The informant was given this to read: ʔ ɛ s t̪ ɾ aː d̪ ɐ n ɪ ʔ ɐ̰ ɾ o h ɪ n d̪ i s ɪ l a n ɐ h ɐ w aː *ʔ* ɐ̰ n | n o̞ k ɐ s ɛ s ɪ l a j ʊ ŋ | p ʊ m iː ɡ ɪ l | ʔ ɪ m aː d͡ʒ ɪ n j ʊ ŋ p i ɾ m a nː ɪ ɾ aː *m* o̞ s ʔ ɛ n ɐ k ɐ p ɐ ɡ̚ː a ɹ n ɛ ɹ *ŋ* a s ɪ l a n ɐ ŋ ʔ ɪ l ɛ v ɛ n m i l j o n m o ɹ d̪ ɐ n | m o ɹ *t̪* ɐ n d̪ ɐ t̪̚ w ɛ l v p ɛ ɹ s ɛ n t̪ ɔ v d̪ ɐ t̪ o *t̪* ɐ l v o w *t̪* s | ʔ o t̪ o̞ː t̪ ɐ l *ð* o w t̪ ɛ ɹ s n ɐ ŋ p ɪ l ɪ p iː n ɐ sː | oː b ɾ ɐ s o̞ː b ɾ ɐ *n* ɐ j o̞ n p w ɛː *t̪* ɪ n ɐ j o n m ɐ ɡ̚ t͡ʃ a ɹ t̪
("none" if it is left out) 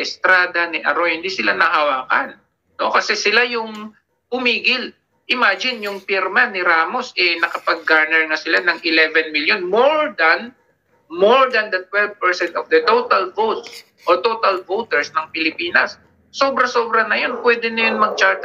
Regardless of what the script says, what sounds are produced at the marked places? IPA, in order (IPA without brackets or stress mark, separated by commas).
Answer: k, m, ŋ, d̪, t̪, t̪, v, n, d̪